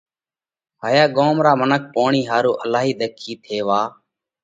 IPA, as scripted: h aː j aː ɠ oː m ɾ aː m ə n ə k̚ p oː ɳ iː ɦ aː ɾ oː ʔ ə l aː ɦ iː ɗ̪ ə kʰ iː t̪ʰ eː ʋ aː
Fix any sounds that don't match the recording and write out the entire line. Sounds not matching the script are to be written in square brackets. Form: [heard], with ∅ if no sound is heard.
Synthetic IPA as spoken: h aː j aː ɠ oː m ɾ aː m ə n ə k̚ p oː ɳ iː ɦ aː ɾ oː ʔ ə l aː ɦ iː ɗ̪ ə kʰ iː t̪ʰ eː ʋ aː